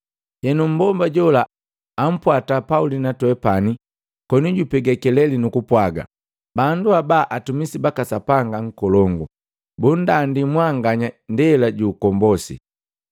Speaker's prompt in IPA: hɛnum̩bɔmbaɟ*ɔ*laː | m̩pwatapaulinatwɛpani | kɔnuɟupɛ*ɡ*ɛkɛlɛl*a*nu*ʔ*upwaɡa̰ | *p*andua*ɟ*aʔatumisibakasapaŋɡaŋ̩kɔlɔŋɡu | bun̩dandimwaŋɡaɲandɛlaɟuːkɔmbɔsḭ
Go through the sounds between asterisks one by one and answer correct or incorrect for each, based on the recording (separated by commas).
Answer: correct, correct, incorrect, incorrect, incorrect, incorrect